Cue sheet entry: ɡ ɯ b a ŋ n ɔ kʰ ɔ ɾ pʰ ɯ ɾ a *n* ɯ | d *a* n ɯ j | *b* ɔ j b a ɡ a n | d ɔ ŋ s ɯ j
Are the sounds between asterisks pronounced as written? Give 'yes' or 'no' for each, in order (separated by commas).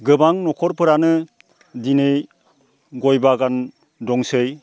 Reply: yes, no, no